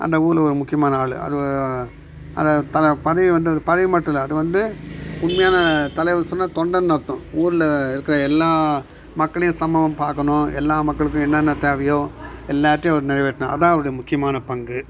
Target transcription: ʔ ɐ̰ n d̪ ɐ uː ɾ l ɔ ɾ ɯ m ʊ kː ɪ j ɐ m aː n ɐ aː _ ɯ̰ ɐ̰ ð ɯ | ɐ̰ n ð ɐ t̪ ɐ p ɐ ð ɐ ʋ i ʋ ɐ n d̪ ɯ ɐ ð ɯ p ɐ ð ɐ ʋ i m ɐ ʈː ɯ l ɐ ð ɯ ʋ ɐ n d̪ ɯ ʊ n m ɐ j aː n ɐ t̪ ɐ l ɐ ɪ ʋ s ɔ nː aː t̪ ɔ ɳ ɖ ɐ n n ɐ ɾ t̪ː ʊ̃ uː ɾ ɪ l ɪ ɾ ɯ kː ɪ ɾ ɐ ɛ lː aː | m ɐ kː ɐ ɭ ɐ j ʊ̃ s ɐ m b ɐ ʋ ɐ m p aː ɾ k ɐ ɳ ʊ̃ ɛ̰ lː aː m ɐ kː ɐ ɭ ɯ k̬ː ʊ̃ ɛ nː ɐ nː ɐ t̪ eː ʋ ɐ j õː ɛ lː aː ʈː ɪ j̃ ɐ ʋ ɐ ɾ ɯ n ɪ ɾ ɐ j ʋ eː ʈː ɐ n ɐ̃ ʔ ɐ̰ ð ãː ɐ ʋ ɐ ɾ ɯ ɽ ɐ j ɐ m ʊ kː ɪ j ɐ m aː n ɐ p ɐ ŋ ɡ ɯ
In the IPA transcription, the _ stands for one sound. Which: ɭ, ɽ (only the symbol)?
ɭ